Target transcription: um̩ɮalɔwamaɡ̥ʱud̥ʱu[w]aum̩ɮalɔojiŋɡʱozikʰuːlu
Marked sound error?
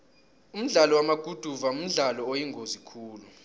yes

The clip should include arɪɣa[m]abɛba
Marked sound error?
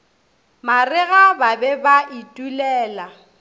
yes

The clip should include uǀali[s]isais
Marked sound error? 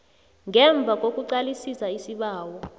no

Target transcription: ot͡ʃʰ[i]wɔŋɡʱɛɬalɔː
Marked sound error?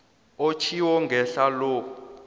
no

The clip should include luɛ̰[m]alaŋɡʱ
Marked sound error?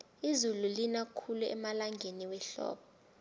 no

